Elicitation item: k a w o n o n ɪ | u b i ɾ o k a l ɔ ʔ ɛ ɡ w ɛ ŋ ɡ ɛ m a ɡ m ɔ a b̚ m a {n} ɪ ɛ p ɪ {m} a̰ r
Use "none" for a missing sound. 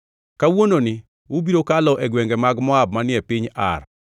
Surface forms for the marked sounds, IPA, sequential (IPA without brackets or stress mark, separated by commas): n, ɲ